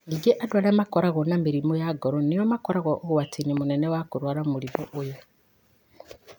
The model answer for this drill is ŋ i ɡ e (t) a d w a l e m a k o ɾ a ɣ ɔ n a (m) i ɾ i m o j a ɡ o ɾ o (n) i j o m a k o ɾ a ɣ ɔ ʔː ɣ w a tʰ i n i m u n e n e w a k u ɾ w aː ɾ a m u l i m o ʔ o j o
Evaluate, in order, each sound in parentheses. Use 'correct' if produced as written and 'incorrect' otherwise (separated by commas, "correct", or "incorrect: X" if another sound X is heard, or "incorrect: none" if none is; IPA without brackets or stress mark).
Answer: incorrect: ʔ, correct, correct